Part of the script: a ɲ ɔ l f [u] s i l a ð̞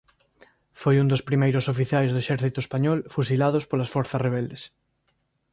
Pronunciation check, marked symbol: correct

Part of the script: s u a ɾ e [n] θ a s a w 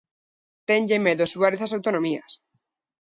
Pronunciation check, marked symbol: incorrect: none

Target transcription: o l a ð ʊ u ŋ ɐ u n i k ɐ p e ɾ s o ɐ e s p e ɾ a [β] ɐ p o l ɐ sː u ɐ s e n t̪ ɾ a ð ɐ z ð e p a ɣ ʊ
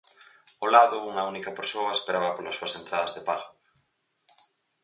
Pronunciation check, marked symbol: correct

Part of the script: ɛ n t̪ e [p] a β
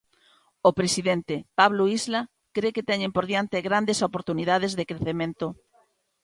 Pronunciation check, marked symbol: correct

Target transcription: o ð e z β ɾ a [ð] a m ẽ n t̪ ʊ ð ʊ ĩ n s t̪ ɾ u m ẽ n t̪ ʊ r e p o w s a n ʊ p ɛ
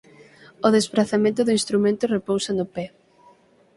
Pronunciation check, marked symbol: incorrect: θ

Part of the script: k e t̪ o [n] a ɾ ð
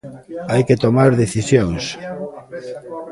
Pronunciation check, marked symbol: incorrect: m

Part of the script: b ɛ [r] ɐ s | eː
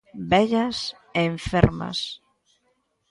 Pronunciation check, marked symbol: incorrect: ʎ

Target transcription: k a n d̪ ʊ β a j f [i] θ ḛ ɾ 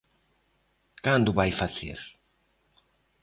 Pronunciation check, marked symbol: incorrect: a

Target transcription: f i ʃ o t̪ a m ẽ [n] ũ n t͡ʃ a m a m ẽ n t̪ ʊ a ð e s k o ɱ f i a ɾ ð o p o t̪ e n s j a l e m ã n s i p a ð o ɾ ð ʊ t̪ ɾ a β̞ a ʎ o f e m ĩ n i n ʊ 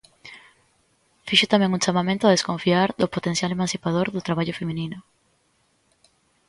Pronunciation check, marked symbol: incorrect: ŋ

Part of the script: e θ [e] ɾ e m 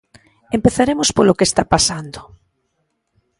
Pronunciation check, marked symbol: incorrect: a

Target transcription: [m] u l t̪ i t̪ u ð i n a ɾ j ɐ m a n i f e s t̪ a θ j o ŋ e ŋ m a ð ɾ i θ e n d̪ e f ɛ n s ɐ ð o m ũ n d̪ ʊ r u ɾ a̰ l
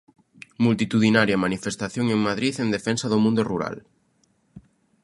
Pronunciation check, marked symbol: correct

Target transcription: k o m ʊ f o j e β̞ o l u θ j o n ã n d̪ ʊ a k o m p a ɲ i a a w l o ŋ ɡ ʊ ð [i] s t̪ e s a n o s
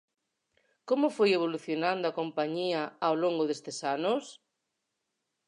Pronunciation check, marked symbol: incorrect: e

